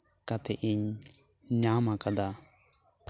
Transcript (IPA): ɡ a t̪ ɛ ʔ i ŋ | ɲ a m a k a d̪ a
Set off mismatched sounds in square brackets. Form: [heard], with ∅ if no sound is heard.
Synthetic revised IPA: [k] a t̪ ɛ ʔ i [ɲ] | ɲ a m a k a d̪ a